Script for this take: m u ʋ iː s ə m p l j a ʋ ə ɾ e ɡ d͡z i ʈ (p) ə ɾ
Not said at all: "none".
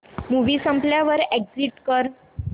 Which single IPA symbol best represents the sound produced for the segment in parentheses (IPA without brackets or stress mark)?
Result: k